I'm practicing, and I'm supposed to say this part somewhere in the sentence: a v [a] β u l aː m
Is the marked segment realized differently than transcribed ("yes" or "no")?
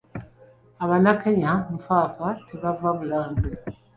no